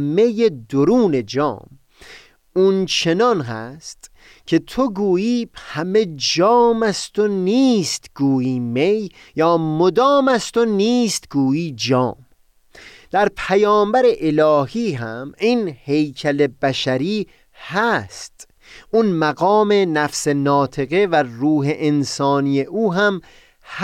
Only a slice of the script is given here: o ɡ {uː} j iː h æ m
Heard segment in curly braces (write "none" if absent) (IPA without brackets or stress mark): uː